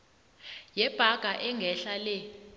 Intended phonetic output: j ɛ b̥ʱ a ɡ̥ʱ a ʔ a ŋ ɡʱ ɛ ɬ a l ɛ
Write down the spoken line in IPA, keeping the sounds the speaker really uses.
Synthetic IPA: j ɛ b̥ʱ a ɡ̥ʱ a ʔ ɛ ŋ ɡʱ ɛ ɬ a l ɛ